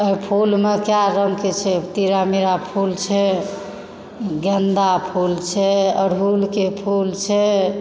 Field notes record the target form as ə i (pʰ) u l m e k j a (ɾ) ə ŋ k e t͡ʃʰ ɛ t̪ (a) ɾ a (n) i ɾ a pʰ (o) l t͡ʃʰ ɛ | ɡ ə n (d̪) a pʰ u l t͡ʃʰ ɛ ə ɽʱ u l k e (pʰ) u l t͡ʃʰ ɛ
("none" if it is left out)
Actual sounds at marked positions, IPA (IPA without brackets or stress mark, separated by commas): pʰ, ɾ, i, m, u, d̪, pʰ